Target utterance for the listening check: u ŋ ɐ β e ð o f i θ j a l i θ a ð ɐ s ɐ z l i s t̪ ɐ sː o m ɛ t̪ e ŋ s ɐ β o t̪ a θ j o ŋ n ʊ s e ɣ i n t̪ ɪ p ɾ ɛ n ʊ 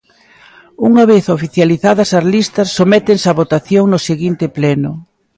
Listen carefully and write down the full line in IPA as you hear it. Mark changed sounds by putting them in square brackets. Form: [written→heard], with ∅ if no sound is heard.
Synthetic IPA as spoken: u ŋ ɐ β e [ð→θ] o f i θ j a l i θ a ð ɐ s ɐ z l i s t̪ ɐ sː o m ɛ t̪ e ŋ s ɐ β o t̪ a θ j o ŋ n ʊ s e ɣ i n t̪ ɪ p [ɾ→l] ɛ n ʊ